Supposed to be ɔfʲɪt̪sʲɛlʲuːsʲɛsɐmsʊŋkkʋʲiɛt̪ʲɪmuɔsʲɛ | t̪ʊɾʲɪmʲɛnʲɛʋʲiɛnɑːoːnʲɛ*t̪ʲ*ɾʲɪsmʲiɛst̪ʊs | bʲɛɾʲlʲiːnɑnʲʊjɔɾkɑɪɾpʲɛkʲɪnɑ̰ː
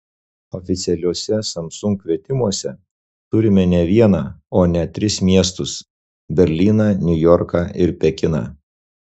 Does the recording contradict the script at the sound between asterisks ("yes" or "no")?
no